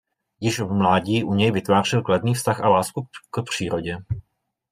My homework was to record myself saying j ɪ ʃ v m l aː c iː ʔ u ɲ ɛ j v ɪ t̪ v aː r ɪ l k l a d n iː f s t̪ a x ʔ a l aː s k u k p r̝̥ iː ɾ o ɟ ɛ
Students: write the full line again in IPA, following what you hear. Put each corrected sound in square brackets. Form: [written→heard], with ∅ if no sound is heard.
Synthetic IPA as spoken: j ɪ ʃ v m l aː [c→ɟ] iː ʔ u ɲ ɛ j v ɪ t̪ v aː r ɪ l k l a d n iː f s t̪ a x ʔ a l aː s k u k p r̝̥ iː ɾ o ɟ ɛ